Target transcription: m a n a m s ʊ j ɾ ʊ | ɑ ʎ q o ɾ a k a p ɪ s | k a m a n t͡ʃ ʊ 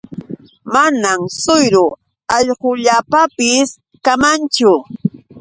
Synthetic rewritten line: m a n a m s ʊ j ɾ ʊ | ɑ ʎ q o ʎ a p a p ɪ s | k a m a n t͡ʃ ʊ